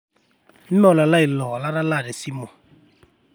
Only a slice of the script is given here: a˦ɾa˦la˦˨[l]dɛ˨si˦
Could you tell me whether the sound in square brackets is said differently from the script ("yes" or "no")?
yes